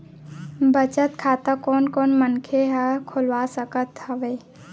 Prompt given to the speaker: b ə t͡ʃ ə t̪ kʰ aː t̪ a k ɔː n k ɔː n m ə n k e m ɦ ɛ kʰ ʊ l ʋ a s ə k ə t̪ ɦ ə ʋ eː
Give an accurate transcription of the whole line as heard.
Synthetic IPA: b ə t͡ʃ ə t̪ kʰ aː t̪ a k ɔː n k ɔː n m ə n kʰ e ɦ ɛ kʰ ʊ l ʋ a s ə k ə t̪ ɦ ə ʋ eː